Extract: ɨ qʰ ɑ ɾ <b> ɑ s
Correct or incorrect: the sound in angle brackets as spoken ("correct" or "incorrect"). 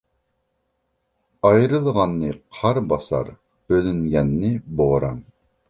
correct